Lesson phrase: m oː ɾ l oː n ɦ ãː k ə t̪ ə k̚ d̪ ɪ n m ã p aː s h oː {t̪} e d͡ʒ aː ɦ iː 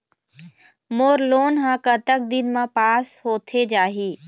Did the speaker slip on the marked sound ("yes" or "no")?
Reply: yes